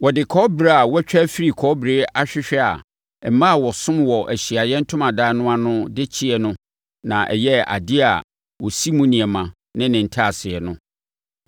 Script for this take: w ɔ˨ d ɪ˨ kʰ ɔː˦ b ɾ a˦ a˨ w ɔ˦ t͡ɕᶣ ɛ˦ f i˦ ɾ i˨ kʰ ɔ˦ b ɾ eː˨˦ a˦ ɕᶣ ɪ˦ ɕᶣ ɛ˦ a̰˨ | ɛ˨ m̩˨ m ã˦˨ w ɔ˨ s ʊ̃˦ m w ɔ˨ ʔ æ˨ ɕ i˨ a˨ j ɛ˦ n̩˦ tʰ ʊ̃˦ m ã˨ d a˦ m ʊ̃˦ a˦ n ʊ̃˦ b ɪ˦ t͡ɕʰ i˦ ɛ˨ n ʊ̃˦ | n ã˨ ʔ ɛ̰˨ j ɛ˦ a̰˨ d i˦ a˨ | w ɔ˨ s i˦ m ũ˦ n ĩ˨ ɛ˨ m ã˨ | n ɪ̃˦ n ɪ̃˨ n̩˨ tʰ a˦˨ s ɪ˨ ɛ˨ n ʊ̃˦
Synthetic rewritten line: w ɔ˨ d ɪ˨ kʰ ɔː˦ b ɾ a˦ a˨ w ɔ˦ t͡ɕᶣ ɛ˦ f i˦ ɾ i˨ kʰ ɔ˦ b ɾ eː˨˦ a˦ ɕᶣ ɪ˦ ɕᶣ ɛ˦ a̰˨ | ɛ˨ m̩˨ m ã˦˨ w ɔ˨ s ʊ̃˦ m w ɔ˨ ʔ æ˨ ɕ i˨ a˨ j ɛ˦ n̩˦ tʰ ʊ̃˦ m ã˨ d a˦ n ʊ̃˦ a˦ n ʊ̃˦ d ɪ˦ t͡ɕʰ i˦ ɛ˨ n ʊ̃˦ | n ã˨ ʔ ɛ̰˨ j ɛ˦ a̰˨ d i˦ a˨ | w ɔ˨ s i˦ m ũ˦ n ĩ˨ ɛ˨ m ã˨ | n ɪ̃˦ n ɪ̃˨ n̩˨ tʰ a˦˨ s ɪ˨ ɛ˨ n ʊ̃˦